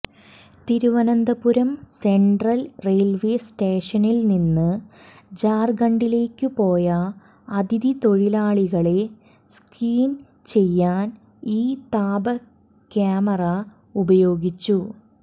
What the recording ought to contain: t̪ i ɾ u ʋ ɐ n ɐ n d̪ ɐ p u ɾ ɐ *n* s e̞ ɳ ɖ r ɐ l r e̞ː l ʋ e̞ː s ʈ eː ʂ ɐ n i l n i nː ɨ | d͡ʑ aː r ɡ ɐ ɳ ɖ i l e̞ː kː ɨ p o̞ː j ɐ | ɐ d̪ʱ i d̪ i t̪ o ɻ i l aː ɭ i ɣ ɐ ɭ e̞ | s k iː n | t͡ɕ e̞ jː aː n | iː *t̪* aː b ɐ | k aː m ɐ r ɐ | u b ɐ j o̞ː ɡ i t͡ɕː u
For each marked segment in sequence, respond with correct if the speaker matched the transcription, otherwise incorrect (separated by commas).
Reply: incorrect, correct